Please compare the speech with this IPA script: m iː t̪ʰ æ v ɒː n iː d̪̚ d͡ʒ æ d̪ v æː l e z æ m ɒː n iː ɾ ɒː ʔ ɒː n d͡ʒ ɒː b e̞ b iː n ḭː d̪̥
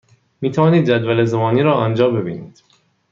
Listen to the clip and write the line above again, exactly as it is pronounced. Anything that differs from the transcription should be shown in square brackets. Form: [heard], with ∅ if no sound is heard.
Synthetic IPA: m iː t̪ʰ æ v ɒː n iː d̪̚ d͡ʒ æ d̪ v [æ] l e z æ m ɒː n iː ɾ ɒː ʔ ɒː n d͡ʒ ɒː b e̞ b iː n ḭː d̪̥